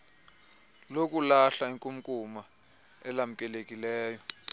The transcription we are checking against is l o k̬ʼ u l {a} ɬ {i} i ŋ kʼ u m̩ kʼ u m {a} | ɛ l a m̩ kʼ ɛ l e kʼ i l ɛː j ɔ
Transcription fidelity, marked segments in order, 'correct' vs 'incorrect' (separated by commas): correct, incorrect, correct